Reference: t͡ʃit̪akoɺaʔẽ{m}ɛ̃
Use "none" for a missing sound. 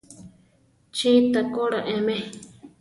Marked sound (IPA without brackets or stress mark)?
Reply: m